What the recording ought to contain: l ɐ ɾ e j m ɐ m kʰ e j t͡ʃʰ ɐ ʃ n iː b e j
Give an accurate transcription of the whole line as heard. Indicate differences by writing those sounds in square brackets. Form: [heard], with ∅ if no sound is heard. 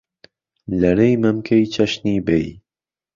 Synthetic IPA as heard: l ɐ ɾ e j m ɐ m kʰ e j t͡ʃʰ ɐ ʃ n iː b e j